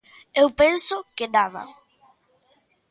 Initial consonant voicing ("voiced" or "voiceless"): voiced